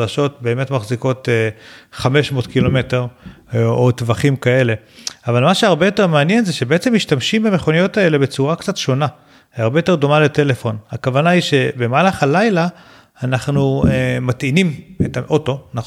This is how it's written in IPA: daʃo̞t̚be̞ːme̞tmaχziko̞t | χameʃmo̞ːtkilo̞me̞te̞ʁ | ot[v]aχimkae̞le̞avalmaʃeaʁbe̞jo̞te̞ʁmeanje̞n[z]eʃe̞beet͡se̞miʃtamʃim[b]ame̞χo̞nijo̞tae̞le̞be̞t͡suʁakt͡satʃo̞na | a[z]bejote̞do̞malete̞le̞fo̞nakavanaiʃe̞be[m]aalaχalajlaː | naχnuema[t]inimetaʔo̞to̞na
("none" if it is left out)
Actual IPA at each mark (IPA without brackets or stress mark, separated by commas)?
v, z, b, ʁ, m, t